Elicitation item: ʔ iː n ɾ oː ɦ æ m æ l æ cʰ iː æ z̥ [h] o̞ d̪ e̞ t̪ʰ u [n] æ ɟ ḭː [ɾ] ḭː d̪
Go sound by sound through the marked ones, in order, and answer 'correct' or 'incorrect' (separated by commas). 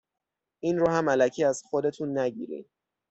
incorrect, incorrect, correct